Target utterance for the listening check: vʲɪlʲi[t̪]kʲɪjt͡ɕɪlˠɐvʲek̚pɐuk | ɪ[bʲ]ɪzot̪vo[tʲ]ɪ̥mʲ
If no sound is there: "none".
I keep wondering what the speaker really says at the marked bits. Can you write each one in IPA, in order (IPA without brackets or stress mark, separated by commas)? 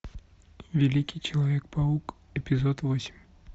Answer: none, pʲ, sʲ